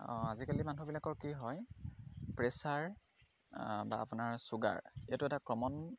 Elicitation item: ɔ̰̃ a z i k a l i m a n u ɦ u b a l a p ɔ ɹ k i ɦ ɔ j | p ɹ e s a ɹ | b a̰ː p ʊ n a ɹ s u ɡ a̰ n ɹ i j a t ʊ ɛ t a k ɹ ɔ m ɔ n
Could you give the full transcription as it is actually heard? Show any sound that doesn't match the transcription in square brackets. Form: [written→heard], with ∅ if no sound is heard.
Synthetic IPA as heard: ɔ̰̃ a z i k a l i m a n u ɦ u b [a→i] l a [p→k] ɔ ɹ k i ɦ ɔ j | p ɹ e s a ɹ | b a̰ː p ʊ n a ɹ s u ɡ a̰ [n→∅] ɹ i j a t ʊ ɛ t a k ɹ ɔ m ɔ n